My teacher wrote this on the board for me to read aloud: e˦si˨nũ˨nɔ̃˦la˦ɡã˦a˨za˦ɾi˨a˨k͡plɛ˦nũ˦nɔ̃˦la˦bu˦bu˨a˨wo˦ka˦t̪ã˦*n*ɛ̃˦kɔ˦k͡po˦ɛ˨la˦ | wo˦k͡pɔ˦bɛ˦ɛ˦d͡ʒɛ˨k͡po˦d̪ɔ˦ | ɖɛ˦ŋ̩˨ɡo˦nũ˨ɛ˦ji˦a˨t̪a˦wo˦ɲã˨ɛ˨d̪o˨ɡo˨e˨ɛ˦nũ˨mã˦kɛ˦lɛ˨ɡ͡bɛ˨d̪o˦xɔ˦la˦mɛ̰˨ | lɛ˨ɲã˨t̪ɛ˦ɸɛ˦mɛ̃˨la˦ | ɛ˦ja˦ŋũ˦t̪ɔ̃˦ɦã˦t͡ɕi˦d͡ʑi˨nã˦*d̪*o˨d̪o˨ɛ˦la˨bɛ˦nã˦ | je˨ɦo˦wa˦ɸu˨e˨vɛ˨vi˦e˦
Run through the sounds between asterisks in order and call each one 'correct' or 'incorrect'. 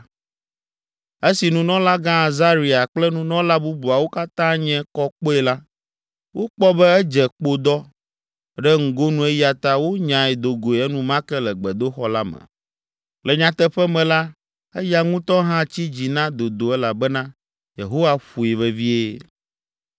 incorrect, correct

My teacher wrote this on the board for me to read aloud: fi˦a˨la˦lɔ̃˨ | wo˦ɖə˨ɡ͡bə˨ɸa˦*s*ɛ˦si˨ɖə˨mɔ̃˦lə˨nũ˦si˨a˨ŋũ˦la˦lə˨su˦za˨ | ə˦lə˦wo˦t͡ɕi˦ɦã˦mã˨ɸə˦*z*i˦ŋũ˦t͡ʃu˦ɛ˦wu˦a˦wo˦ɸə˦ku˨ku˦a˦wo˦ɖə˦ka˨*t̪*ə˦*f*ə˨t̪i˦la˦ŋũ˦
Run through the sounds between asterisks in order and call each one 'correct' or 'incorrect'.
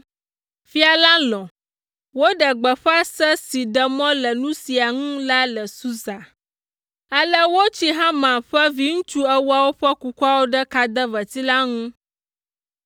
correct, incorrect, incorrect, incorrect

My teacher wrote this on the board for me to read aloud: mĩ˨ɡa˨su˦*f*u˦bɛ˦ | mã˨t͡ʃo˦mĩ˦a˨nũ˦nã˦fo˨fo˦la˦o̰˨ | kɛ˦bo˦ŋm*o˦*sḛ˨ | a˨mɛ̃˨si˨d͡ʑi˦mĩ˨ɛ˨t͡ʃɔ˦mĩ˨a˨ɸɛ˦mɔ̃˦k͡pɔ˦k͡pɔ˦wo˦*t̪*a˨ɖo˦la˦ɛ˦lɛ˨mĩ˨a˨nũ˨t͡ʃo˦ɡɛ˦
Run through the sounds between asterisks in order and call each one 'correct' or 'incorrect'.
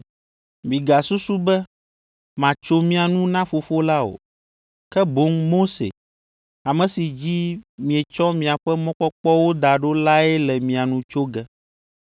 incorrect, correct, incorrect

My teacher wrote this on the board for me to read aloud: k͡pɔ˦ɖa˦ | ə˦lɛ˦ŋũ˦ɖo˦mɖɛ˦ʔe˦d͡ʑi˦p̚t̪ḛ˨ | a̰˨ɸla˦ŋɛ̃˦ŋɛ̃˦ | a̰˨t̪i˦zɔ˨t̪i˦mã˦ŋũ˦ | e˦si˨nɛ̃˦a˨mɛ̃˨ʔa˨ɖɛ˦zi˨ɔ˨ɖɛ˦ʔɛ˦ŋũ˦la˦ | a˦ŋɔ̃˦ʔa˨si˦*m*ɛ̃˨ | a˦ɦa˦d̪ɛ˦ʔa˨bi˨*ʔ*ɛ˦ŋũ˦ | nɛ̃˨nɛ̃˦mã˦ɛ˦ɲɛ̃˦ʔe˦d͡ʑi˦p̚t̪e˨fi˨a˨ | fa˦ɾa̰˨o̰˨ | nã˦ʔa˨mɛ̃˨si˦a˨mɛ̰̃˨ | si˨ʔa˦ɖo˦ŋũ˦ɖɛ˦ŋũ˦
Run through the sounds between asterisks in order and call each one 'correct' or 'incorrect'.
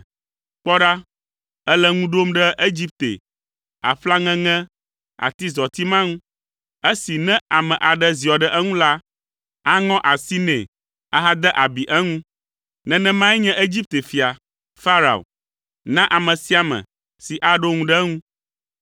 incorrect, correct

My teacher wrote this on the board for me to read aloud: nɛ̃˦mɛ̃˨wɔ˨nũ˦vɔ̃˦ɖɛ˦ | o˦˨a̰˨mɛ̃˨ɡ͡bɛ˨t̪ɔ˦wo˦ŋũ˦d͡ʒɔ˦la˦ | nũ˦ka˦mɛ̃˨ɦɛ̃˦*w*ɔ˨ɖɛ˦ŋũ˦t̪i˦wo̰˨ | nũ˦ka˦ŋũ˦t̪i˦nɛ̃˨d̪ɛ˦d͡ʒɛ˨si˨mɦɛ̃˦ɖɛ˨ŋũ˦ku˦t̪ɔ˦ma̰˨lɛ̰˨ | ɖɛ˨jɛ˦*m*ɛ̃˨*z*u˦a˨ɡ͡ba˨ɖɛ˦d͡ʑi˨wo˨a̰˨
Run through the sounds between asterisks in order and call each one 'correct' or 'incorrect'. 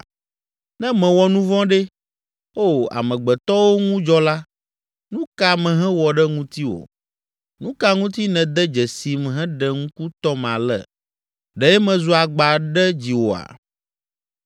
correct, correct, correct

